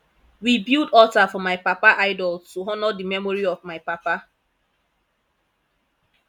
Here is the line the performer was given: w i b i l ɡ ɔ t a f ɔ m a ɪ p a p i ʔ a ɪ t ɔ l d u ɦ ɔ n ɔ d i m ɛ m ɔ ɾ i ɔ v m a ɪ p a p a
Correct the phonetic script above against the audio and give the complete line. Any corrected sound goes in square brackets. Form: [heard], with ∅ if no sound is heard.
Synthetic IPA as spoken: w i b i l [d] ɔ t a f ɔ m a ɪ p a p [a] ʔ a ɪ [d] ɔ l [t] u ɦ ɔ n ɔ d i m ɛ m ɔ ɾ i ɔ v m a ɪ p a p a